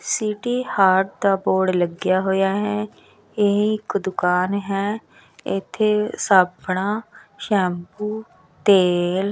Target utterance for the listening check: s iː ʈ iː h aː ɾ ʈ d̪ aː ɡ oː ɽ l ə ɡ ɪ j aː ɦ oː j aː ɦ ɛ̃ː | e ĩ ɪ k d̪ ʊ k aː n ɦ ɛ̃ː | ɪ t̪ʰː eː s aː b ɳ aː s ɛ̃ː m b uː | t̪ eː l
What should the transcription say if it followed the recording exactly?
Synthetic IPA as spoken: s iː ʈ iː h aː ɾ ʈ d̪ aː b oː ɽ l ə ɡ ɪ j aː ɦ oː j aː ɦ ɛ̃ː | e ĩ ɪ k d̪ ʊ k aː n ɦ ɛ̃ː | ɪ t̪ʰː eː s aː b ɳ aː ʃ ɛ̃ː m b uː | t̪ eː l